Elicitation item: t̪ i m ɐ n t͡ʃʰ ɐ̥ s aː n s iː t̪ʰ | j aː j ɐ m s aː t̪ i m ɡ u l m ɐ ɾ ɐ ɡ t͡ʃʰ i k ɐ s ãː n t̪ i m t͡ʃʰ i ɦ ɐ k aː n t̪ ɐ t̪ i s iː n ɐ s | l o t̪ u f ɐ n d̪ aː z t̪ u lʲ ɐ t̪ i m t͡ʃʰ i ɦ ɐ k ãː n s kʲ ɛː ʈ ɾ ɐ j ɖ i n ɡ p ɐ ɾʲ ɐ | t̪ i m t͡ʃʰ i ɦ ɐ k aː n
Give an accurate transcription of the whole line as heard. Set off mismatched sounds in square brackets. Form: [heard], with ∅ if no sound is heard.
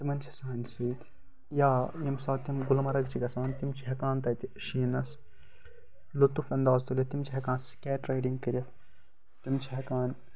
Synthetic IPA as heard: t̪ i m ɐ n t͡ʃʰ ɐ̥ s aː n s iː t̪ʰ | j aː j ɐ m s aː t̪ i m ɡ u l m ɐ ɾ ɐ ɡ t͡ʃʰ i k ɐ s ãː n t̪ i m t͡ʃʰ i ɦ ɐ k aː n t̪ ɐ t̪ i [ʃ] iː n ɐ s | l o t̪ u f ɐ n d̪ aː z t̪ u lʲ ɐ t̪ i m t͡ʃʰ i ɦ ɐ k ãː n s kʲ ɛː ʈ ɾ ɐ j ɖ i [ŋ] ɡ [k] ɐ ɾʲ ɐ | t̪ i m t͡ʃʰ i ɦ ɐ k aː n